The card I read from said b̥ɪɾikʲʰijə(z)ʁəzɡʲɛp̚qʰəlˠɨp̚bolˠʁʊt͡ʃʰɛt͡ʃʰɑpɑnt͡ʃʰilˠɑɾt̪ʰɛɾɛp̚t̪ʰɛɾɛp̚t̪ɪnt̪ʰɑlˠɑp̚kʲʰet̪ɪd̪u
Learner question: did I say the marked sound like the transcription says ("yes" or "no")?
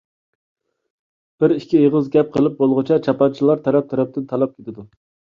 no